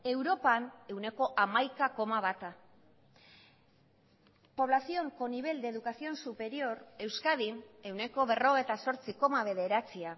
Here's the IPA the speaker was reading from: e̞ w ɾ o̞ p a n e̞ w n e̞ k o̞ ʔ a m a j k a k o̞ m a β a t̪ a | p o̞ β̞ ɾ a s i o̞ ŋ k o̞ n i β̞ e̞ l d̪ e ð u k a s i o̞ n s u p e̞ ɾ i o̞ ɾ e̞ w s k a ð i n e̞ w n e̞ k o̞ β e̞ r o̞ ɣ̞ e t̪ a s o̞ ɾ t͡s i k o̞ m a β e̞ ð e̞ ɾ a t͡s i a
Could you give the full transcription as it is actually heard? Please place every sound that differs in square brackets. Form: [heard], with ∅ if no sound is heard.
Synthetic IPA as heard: e̞ w ɾ o̞ p a n e̞ w n e̞ k o̞ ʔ a m a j k a k o̞ m a β a t̪ a | p o̞ β̞ [l] a s i o̞ ŋ k o̞ n i β̞ e̞ l d̪ e ð u k a s i o̞ n s u p e̞ ɾ i o̞ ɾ e̞ w s k a ð i n e̞ w n e̞ k o̞ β e̞ r o̞ ɣ̞ e t̪ a s o̞ ɾ t͡s i k o̞ m a β e̞ ð e̞ ɾ a t͡s i a